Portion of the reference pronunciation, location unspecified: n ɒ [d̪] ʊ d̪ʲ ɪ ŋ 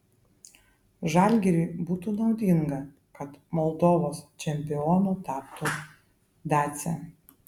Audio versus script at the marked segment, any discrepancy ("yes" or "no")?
yes